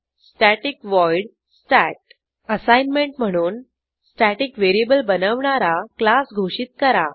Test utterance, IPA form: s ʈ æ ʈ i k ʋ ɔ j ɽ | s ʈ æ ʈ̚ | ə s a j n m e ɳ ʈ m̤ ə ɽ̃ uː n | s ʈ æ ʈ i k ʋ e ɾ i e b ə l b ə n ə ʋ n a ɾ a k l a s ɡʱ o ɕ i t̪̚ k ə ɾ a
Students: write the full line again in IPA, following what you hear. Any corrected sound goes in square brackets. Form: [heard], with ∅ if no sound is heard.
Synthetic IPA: s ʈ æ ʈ i k ʋ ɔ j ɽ | s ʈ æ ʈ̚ | ə s a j n m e ɳ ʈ m̤ ə ɽ̃ uː n | s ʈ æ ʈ i k ʋ e ɾ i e b ə l b ə n ə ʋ [ɳ] a ɾ a k l a s ɡʱ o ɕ i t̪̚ k ə ɾ a